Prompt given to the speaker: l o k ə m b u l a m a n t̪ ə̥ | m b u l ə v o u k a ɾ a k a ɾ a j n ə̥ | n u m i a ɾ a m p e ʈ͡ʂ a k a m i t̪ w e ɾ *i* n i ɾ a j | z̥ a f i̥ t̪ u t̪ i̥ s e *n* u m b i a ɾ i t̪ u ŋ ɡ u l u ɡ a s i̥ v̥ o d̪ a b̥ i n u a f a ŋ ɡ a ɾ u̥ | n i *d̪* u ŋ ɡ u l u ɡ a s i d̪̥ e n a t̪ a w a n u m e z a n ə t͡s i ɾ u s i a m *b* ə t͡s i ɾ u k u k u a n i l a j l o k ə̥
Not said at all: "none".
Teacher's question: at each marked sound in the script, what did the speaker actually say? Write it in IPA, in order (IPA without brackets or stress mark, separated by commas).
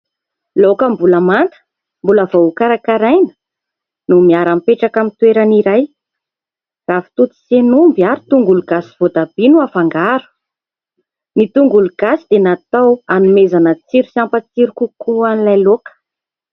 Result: a, n, t̪, p